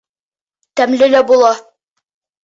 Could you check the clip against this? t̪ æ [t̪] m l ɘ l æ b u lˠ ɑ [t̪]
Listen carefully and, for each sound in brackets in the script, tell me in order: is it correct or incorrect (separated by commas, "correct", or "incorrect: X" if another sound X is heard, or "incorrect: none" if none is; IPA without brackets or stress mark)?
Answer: incorrect: none, incorrect: none